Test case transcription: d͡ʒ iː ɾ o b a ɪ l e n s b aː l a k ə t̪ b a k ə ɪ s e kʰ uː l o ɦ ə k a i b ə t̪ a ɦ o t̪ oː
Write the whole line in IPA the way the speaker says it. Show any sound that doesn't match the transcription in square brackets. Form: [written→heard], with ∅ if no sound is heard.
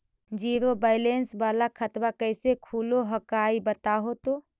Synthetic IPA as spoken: d͡ʒ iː ɾ o b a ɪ l e n s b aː l a [k→kʰ] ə t̪ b a k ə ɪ s e kʰ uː l o ɦ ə k a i b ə t̪ a ɦ o t̪ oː